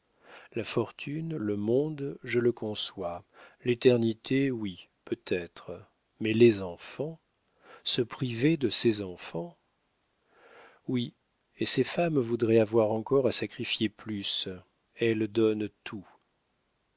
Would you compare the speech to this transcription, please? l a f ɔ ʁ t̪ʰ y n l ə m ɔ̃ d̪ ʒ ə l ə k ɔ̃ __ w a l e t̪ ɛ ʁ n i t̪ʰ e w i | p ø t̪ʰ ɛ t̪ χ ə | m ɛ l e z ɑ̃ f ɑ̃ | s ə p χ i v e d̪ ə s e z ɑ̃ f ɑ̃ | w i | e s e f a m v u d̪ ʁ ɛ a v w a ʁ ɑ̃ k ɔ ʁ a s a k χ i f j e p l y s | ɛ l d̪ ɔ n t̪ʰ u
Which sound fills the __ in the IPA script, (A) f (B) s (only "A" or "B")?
B